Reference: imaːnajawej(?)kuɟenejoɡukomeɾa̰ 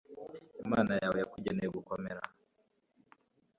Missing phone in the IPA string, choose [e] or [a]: a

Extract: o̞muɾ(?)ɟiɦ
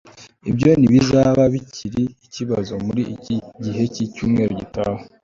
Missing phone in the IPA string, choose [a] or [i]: i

